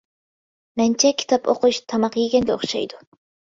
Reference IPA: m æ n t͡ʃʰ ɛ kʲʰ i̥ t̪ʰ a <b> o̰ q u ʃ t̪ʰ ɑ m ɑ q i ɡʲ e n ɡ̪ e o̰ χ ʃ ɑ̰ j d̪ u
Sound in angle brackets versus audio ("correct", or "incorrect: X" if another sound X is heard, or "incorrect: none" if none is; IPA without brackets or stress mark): incorrect: p